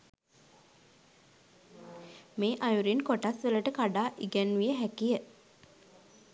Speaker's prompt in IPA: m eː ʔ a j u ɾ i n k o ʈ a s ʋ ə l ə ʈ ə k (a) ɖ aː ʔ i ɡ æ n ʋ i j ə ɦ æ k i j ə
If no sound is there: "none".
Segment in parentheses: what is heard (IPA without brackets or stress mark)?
a